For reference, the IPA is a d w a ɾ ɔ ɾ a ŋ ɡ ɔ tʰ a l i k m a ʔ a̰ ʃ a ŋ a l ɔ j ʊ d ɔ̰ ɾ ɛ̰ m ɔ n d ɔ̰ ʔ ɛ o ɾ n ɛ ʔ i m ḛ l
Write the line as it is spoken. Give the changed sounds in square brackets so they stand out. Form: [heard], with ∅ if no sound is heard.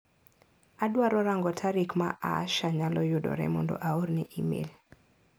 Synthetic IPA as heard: a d w a ɾ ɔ ɾ a ŋ ɡ ɔ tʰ a [ɾ] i k m a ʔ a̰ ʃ a [ɲ] a l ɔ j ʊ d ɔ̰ ɾ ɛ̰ m ɔ n d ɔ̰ ʔ [a] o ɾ n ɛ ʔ i m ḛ l